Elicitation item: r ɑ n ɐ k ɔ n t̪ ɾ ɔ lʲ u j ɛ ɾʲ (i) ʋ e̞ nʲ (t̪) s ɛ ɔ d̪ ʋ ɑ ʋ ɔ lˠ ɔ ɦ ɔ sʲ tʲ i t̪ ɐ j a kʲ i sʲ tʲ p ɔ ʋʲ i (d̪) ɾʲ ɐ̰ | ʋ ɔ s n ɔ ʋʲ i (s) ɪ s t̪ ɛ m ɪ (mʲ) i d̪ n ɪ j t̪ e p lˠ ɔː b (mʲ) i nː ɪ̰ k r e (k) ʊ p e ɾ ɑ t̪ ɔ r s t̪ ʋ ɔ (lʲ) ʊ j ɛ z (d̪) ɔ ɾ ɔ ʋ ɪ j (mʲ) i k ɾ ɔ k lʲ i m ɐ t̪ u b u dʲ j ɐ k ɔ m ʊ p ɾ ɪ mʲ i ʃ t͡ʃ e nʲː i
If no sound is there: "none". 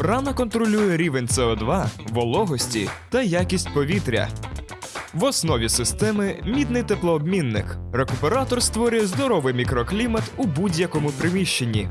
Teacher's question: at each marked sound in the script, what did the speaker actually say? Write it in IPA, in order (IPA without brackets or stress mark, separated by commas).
i, t̪, t̪, s, mʲ, mʲ, k, ɾʲ, d̪, mʲ